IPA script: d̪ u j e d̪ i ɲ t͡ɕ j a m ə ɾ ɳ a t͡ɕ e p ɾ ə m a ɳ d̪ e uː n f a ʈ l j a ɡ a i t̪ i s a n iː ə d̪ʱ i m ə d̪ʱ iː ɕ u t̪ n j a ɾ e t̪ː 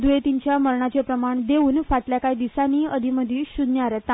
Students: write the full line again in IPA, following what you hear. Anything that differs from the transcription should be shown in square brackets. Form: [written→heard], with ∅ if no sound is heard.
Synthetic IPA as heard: d̪ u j e [d̪→t̪] i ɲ t͡ɕ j a m ə ɾ ɳ a t͡ɕ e p ɾ ə m a ɳ d̪ e uː n f a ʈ l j a [ɡ→k] a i [t̪→d̪] i s a n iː ə d̪ʱ i m ə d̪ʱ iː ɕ u [t̪→d̪] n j a ɾ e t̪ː

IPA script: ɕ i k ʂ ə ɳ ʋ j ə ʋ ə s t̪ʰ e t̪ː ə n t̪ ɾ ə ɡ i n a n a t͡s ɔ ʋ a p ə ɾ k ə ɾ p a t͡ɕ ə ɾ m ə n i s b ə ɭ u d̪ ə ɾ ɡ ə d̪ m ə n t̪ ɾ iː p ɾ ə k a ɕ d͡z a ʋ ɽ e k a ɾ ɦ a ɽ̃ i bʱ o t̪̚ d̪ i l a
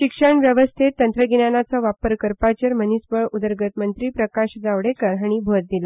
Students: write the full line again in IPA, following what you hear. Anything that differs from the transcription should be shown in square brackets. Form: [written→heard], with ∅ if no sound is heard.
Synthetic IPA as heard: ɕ i k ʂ ə ɳ ʋ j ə ʋ ə s t̪ʰ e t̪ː ə n t̪ ɾ ə ɡ i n a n a t͡s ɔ ʋ a p ə ɾ k ə ɾ p a t͡ɕ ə ɾ m ə n i s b ə ɭ u d̪ ə ɾ ɡ ə [d̪→t̪] m ə n t̪ ɾ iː p ɾ ə k a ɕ d͡z a ʋ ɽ e k [a→ə] ɾ ɦ a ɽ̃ i bʱ o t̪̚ d̪ i l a

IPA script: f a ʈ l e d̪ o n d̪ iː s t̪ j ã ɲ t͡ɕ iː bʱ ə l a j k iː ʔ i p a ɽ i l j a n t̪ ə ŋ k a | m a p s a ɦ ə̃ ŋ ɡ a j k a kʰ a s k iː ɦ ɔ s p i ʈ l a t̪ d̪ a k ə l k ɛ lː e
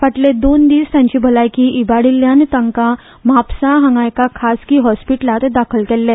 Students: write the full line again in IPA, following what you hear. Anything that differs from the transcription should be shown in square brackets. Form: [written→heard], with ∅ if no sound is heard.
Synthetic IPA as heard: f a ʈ l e d̪ o n d̪ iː s t̪ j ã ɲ t͡ɕ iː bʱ ə l a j k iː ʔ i [p→b] a ɽ i l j a n t̪ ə ŋ k a | m a p s a ɦ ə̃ ŋ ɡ a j k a kʰ a s k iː ɦ ɔ s p i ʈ l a t̪ d̪ a [k→kʰ] ə l k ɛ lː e

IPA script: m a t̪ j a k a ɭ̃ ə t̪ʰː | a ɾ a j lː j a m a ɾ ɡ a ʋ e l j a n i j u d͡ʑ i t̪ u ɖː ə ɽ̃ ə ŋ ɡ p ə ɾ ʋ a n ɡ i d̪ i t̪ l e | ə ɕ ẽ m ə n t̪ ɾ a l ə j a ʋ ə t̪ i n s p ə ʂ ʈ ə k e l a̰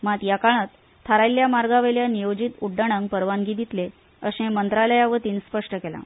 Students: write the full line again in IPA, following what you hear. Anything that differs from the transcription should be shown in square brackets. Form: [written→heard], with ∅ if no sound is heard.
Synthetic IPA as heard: m a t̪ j a k a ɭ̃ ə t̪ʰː | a ɾ a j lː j a m a ɾ ɡ a ʋ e l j a n i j [u→o] d͡ʑ i t̪ u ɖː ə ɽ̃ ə ŋ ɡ p ə ɾ ʋ a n ɡ i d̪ i t̪ l e | ə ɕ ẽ m ə n t̪ ɾ a l ə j a ʋ ə t̪ [i→iː] n s p ə ʂ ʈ ə k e l a̰

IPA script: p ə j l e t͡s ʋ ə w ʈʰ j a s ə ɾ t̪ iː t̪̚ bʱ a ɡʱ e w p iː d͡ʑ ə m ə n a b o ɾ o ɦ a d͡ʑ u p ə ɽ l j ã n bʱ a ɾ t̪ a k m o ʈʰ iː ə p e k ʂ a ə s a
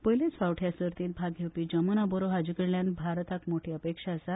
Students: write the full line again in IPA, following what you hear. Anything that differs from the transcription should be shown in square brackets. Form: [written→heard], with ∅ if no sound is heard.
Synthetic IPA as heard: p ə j l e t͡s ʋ [ə→a] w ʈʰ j a s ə ɾ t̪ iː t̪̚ bʱ a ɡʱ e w p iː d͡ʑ ə m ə n a b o ɾ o ɦ a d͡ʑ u [p→k] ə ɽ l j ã n bʱ a ɾ t̪ a k m o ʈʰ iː ə p e k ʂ a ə s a

